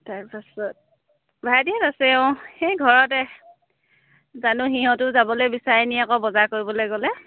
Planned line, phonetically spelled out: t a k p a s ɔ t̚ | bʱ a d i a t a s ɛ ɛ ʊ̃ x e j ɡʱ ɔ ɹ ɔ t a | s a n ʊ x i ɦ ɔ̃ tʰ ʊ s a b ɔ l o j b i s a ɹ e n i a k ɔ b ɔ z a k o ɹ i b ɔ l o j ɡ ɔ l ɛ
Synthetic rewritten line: t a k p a s ɔ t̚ | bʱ a d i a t a s ɛ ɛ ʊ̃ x e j ɡʱ ɔ ɹ ɔ t ɛ | z a n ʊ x i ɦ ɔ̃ t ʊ z a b ɔ l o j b i s a ɹ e n i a k ɔ b ɔ z a k o ɹ i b ɔ l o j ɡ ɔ l ɛ